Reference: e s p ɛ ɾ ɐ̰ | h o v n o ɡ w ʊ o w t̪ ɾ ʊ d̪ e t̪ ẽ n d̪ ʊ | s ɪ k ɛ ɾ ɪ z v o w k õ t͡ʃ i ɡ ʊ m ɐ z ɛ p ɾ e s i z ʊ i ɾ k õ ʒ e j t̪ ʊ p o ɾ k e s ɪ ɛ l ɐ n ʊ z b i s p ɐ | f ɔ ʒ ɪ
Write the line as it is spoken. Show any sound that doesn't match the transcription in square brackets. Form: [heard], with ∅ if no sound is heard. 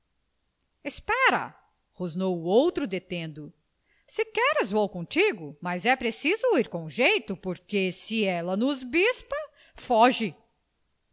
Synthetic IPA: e s p ɛ ɾ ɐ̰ | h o [z] n o [∅] w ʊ o w t̪ ɾ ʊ d̪ e t̪ ẽ n d̪ ʊ | s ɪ k ɛ ɾ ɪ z v o w k õ t͡ʃ i ɡ ʊ m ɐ z ɛ p ɾ e s i z ʊ i ɾ k õ ʒ e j t̪ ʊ p o ɾ k e s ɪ ɛ l ɐ n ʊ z b i s p ɐ | f ɔ ʒ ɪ